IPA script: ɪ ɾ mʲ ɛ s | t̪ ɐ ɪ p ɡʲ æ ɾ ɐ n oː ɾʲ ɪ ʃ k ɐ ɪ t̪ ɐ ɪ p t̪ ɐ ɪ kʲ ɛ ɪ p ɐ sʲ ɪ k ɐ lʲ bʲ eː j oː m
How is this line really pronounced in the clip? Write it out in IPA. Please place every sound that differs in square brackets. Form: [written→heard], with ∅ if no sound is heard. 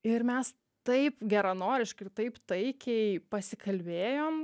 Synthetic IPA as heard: ɪ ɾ mʲ ɛ s | t̪ ɐ ɪ p ɡʲ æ ɾ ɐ n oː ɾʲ ɪ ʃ k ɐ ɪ t̪ ɐ ɪ p t̪ ɐ ɪ kʲ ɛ ɪ p ɐ sʲ ɪ k ɐ lʲ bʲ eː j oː m